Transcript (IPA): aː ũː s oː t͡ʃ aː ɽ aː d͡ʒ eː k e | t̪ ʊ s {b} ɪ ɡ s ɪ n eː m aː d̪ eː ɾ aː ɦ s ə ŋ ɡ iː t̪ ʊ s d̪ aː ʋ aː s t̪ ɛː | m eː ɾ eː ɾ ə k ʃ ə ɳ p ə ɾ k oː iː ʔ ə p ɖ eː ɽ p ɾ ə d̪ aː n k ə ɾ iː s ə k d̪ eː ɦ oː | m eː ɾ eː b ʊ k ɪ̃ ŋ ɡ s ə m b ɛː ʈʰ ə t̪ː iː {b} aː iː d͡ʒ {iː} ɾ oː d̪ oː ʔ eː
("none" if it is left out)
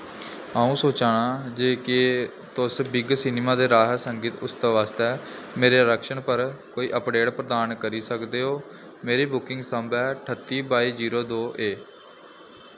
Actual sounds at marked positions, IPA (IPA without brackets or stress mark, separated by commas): b, b, iː